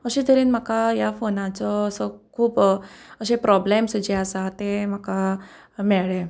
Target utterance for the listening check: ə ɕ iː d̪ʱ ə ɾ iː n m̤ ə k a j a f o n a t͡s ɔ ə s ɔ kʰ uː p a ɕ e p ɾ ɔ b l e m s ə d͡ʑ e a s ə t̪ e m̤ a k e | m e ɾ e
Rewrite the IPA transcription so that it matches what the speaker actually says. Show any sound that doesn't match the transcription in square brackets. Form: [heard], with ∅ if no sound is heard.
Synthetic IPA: ə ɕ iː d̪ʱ ə ɾ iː n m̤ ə k a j a f o n a t͡s ɔ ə s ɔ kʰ uː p [ə] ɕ e p ɾ ɔ b l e m s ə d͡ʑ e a s [a] t̪ e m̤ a k [a] | m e [ɭ] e